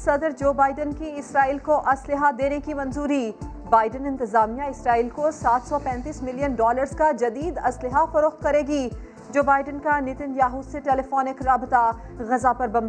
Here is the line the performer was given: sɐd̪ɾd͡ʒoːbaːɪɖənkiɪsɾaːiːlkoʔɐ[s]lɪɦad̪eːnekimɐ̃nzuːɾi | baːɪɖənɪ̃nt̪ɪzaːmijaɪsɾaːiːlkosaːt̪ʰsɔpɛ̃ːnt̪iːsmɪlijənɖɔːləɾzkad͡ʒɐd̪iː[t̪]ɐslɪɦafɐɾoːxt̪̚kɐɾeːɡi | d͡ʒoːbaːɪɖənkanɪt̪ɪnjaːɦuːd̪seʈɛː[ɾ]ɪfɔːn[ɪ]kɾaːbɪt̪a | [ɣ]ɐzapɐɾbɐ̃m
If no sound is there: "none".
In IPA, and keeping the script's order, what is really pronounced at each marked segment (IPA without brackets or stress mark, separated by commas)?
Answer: s, d̪, l, ɪ, ɣ